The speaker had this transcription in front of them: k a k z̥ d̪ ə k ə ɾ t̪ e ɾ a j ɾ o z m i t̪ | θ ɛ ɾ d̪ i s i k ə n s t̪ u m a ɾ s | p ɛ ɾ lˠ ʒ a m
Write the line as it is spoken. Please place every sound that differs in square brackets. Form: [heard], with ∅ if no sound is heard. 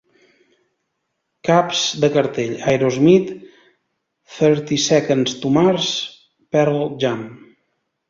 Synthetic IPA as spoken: k a [p] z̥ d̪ ə k ə ɾ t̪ e [ʎ] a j ɾ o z m i t̪ | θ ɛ ɾ [t̪] i s [ɛ] k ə n s t̪ u m a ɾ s | p ɛ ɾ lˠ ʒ a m